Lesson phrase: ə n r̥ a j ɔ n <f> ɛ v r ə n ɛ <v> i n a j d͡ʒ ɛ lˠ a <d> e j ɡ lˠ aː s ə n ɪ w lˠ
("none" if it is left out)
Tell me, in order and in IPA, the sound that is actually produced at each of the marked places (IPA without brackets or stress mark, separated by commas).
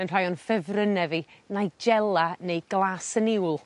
f, v, n